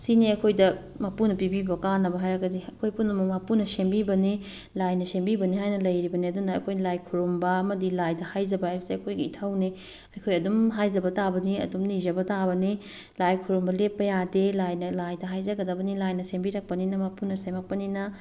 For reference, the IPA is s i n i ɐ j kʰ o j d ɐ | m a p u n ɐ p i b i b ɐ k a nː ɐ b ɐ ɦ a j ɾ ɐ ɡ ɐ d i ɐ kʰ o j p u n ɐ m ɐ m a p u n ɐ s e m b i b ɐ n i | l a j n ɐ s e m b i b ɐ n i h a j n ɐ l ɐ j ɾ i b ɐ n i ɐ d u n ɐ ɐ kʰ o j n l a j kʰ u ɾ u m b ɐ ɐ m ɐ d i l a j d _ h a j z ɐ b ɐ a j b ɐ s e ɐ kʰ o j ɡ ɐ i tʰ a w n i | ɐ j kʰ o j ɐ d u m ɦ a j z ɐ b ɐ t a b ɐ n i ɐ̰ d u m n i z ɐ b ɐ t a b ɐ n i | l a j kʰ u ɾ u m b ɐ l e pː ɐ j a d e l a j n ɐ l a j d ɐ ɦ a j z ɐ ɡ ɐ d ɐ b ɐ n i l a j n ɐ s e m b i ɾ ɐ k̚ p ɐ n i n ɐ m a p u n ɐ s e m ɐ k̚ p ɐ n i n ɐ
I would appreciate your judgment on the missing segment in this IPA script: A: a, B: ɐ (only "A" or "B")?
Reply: B